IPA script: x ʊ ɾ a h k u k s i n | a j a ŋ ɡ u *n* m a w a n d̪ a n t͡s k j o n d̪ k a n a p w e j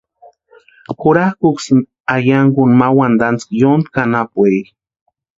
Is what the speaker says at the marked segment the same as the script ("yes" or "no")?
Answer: yes